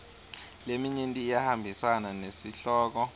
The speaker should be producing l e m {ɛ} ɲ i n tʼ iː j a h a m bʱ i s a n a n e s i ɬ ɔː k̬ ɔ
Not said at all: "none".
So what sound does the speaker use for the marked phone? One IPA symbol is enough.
i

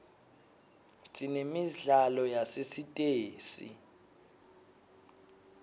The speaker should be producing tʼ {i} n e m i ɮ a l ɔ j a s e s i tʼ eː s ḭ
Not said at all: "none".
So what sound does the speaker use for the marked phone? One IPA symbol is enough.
i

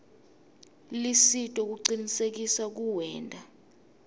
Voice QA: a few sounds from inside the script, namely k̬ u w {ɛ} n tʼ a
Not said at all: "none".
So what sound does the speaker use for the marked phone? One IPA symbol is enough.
ɛː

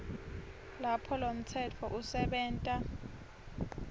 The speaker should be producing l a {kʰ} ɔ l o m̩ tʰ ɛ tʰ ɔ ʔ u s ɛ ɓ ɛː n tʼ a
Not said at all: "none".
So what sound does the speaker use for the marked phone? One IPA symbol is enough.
pʰ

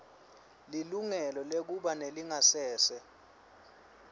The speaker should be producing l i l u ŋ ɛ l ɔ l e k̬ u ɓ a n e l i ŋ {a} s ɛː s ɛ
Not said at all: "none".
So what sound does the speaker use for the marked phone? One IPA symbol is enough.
a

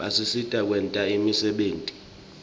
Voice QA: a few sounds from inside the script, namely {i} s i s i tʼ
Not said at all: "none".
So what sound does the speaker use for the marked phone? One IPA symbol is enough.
a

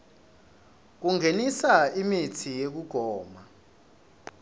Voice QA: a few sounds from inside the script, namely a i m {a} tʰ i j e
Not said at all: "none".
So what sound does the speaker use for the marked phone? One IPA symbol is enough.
i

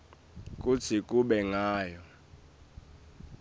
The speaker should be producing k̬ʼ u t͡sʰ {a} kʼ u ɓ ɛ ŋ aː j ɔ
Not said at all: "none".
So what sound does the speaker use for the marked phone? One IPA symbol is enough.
i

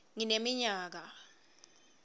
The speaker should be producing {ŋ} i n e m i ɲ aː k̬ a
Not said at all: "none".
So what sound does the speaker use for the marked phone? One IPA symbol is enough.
ŋ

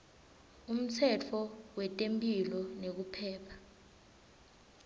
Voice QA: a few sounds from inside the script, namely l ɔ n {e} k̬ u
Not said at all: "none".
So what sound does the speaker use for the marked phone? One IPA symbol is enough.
e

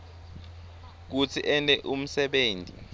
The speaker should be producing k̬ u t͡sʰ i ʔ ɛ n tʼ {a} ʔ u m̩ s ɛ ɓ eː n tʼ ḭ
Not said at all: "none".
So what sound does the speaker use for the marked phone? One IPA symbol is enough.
ɛ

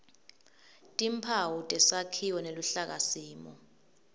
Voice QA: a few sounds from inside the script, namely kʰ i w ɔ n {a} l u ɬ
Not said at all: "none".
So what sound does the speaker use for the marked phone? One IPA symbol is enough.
e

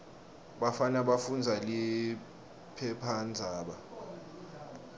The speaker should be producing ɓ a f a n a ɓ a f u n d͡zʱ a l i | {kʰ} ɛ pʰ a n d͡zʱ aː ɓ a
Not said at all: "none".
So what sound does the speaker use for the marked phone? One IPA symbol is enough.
pʰ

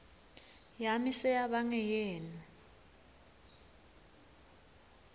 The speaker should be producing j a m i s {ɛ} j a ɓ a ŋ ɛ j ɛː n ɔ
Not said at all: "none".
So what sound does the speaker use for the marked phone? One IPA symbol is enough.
ɛ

